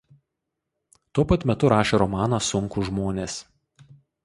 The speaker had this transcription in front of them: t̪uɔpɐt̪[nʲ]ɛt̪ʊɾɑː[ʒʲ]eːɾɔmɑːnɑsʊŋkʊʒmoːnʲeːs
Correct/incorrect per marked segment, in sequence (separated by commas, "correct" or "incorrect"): incorrect, incorrect